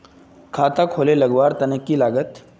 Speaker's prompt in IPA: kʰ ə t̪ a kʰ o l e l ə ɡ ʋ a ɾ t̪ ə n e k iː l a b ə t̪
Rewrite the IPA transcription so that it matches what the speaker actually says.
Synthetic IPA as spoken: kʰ a t̪ a kʰ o l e l ə ɡ ʋ a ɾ t̪ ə n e k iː l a ɡ ə t̪